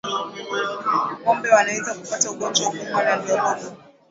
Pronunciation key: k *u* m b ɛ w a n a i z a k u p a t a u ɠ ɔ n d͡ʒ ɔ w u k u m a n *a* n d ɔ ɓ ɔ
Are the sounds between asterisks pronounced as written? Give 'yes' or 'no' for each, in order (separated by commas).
no, yes